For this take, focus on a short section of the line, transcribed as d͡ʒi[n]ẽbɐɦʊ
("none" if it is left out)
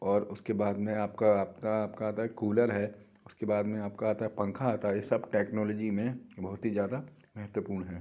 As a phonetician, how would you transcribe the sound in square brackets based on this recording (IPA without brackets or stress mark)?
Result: m